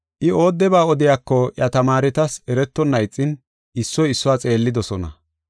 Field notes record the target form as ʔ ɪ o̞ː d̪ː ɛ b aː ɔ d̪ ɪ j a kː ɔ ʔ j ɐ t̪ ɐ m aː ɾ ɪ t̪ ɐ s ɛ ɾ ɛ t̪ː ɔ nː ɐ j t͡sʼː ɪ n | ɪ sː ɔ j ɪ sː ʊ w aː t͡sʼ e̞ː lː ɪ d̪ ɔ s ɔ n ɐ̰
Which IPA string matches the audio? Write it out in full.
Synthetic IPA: ʔ ɪ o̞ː d̪ː ɛ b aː ɔ d̪ ɪ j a kː ɔ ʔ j ɐ t̪ ɐ m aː ɾ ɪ t̪ ɐ s ɛ ɾ ɛ t̪ː ɔ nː ɐ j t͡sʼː ɪ n | ɪ sː ɔ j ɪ sː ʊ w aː t͡sʼ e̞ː lː ɪ d̪ ɔ s ɔ n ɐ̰